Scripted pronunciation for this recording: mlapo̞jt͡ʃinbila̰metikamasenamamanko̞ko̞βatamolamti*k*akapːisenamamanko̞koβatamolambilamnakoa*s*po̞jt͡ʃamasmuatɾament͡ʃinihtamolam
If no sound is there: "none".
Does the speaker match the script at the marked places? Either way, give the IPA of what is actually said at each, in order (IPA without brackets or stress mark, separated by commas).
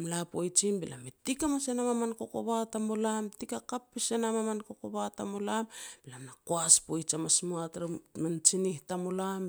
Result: k, s